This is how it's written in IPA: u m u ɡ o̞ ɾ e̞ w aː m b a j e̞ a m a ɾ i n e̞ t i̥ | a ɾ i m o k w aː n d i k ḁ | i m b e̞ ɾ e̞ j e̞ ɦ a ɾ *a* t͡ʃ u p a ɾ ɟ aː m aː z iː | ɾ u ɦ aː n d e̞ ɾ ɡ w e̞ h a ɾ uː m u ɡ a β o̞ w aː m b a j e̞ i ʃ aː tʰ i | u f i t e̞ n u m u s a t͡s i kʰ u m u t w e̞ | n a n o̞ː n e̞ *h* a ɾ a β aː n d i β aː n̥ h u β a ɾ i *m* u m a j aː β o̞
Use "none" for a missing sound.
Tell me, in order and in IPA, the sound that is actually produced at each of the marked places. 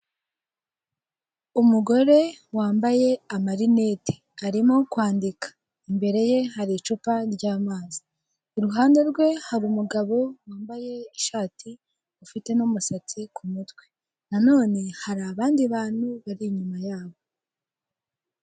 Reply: i, h, ɲ

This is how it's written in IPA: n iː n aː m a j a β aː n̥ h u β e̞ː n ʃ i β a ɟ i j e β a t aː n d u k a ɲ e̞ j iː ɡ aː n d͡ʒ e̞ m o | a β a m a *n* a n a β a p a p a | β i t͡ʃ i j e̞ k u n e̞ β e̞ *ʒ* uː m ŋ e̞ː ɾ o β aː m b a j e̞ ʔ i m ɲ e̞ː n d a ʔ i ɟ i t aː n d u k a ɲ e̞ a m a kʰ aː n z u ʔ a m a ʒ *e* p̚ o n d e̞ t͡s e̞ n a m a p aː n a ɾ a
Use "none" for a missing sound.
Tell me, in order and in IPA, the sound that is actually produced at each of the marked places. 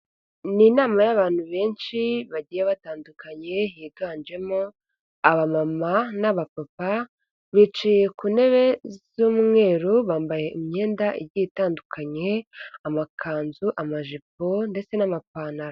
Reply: m, z, i

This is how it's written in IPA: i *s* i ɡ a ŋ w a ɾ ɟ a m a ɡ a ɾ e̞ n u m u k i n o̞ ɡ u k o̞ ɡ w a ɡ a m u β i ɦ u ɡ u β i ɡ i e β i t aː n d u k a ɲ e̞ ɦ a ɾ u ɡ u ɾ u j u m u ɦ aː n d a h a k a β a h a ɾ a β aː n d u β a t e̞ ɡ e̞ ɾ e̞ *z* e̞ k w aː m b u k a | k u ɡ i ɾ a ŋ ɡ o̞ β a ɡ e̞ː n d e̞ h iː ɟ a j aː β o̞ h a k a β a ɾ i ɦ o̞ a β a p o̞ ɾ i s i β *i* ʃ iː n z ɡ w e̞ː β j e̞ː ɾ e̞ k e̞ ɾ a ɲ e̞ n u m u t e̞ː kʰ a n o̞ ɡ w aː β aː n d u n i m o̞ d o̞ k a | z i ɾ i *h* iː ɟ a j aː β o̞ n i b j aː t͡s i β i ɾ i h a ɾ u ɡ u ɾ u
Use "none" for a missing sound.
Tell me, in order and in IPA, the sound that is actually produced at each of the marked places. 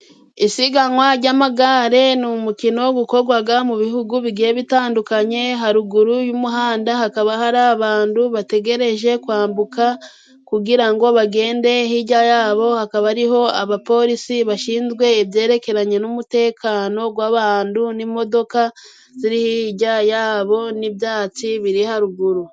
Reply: s, ʒ, a, h

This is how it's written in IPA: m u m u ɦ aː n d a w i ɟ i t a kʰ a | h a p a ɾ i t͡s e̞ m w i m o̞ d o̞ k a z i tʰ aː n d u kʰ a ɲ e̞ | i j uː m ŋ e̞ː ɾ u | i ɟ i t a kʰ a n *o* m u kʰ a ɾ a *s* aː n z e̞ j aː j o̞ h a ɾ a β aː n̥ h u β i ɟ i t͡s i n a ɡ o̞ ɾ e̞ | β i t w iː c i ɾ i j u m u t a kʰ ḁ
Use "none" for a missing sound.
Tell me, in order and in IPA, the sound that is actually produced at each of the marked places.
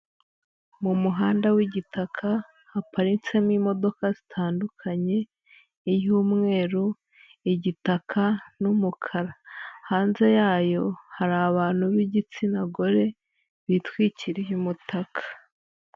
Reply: u, h

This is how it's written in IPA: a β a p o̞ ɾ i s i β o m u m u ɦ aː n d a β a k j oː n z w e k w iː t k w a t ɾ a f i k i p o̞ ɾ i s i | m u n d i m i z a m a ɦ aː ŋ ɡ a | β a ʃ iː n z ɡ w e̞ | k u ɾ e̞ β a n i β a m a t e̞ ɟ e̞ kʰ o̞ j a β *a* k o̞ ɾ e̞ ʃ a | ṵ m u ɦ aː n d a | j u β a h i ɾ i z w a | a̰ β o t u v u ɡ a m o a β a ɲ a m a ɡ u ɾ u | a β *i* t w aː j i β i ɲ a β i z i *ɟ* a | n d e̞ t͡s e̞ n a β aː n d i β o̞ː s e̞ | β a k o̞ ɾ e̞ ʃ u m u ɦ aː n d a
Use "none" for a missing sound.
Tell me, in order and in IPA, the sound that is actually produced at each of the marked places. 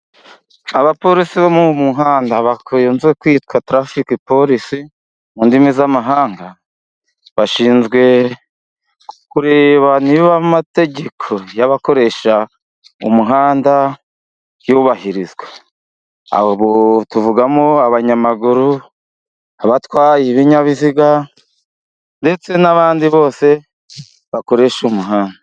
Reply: a, a, ɡ

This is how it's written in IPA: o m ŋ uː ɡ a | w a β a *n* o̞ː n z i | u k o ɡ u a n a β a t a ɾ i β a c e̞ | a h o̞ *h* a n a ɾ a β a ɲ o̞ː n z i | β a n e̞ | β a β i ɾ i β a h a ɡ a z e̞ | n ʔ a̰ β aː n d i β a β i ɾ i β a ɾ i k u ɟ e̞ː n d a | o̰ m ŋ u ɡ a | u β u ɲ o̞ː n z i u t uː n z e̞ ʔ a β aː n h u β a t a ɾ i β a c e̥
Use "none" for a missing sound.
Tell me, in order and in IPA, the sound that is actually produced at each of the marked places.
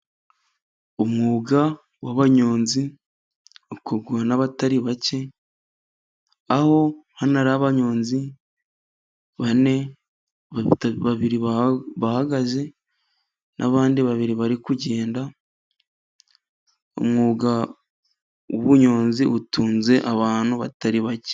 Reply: ɲ, h

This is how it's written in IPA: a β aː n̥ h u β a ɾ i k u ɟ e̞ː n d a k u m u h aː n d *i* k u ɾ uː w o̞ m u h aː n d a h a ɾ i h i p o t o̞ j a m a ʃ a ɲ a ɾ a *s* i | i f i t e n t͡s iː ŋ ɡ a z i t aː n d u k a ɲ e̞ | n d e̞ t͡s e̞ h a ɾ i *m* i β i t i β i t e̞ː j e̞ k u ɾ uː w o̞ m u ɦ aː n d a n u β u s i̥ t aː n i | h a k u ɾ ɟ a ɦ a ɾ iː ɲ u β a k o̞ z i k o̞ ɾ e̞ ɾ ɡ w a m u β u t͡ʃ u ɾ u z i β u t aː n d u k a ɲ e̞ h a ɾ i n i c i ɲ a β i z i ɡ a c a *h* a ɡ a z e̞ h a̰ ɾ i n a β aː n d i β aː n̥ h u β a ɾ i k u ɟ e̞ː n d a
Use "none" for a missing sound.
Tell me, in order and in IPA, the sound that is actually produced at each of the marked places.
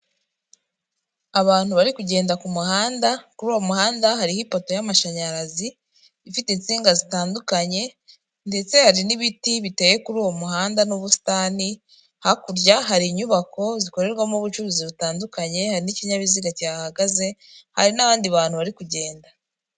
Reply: a, z, n, h

